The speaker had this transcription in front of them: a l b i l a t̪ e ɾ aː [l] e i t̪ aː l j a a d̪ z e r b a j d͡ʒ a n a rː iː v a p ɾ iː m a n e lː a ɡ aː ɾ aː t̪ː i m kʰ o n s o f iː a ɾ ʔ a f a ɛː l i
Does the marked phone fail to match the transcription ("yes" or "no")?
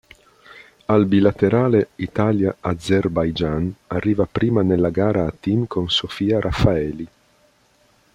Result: no